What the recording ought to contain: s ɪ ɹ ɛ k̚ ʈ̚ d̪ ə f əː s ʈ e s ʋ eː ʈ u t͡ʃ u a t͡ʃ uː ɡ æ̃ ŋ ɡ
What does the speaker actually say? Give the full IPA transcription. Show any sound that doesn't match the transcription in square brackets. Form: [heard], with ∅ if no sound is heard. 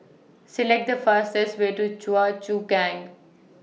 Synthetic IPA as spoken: s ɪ [l] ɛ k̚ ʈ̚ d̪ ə f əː s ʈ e s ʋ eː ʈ u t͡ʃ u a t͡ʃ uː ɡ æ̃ ŋ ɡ

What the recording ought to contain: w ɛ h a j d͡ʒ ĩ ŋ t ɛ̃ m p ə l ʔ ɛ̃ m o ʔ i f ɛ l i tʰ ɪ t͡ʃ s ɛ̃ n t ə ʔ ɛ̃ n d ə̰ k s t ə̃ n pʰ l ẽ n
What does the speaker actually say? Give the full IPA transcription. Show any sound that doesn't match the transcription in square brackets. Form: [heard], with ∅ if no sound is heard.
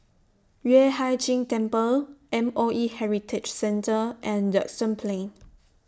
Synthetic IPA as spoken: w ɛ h a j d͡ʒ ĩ ŋ t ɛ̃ m p ə l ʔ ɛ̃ m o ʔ i [h] ɛ [ɹ] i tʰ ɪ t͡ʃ s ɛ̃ n t ə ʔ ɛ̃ n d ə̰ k s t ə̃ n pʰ l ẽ n

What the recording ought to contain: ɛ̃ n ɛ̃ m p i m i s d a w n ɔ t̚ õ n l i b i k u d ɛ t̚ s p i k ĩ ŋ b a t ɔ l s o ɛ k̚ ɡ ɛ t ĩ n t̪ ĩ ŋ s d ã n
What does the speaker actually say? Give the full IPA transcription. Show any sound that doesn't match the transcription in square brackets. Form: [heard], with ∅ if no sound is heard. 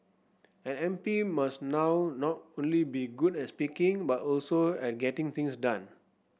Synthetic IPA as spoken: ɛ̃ n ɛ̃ m p i m [a] s [n] a w n ɔ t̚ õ n l i b i [ɡ] u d ɛ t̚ s p i k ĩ ŋ b a t ɔ l s o ɛ [t̚] ɡ ɛ t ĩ [ŋ] t̪ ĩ ŋ s d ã n

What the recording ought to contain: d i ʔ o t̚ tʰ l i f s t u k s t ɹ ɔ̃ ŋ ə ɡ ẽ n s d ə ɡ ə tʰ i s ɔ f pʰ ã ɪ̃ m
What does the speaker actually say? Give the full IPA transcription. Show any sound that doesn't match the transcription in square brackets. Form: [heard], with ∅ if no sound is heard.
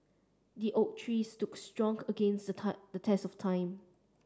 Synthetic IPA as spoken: d i ʔ o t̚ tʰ [ɹ] i [∅] s t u k s t ɹ ɔ̃ ŋ ə ɡ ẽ n s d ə [d] ə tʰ [ɛ] s ɔ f [tʰ] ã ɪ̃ m

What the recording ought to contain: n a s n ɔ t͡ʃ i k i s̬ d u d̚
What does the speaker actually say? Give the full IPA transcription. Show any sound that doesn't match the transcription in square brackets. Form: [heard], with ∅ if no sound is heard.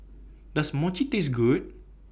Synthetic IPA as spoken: [d] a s [m] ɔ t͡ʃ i [t] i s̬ [ɡ] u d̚

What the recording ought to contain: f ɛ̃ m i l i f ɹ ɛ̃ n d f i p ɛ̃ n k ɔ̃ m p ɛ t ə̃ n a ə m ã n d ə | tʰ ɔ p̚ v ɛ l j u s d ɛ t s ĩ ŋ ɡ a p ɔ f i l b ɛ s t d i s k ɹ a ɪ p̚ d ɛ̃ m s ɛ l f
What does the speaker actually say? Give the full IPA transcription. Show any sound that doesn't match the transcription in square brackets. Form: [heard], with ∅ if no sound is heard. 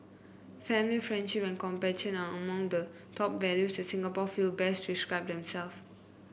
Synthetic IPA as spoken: f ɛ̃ m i l i f ɹ ɛ̃ n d [ʃ] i p ɛ̃ n k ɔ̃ m p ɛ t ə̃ n a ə m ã [ŋ] d ə | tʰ ɔ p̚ v ɛ l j u s d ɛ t s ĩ ŋ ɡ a p ɔ f i l b ɛ s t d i s k ɹ a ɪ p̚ d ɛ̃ m s ɛ l f

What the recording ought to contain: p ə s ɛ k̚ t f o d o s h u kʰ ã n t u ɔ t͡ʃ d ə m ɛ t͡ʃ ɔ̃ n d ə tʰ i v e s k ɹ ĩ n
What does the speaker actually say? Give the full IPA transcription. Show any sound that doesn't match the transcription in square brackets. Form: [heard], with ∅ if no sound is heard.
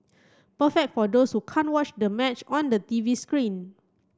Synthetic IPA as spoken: p ə [f] ɛ k̚ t f [ɔ] d o s h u kʰ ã n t [w] ɔ t͡ʃ d ə m ɛ t͡ʃ ɔ̃ n d ə [t] i v [i] s k ɹ ĩ n

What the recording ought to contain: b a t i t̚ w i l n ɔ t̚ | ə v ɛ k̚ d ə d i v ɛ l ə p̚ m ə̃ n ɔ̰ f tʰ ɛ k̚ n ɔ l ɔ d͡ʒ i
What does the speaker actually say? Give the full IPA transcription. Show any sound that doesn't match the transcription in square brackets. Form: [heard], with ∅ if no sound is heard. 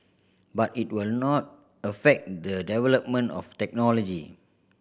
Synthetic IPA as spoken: b a t i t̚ w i l n ɔ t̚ | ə [f] ɛ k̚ d ə d [ɛ] v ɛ l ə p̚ m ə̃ n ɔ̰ f [t] ɛ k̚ n ɔ l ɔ d͡ʒ i

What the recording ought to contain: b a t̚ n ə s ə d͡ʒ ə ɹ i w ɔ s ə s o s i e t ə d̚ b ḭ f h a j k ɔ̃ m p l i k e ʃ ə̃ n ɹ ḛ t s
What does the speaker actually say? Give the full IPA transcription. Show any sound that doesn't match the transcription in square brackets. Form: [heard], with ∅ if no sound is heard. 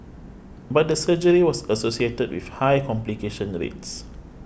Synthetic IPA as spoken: b a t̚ [d] ə s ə d͡ʒ ə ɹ i w ɔ s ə s o s i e t ə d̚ [w] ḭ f h a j k ɔ̃ m p l i k e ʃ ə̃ n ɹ ḛ t s

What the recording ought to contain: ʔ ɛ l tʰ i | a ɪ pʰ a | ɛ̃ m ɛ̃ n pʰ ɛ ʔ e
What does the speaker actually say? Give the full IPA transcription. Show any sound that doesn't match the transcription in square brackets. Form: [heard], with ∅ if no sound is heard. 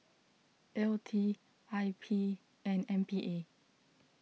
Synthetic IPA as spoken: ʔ ɛ l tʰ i | a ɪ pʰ [i] | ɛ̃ [n] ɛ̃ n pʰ [i] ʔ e

